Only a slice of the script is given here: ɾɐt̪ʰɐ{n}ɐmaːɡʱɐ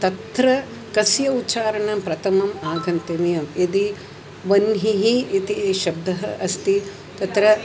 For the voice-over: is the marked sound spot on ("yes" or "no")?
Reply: no